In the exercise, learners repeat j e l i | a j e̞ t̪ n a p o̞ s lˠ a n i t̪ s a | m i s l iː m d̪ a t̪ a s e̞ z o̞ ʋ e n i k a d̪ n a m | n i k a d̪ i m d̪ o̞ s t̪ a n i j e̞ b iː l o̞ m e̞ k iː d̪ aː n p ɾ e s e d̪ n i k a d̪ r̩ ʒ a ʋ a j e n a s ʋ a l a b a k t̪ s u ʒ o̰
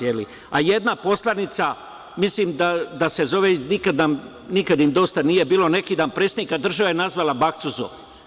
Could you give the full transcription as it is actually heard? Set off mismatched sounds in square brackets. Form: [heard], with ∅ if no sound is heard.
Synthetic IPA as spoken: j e l i | a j e̞ [d̪] n a p o̞ s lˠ a n i t̪ s a | m i s l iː m d̪ a [d̪] a s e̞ z o̞ ʋ e n i k a d̪ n a m | n i k a d̪ i m d̪ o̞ s t̪ a n i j e̞ b iː l o̞ [n] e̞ k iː d̪ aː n p ɾ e s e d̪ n i k a d̪ r̩ ʒ a ʋ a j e n a [z] ʋ a l a b a k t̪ s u [z] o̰